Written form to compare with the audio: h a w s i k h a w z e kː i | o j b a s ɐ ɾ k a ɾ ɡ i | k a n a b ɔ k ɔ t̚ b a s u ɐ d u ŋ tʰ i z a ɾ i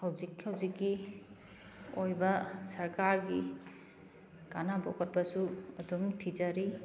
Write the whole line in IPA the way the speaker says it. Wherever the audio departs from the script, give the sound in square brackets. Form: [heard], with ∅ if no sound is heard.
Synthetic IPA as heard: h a w [z] i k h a w z [i] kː i | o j b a s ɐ ɾ k a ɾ ɡ i | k a n a b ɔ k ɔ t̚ b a s u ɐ d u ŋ tʰ i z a ɾ i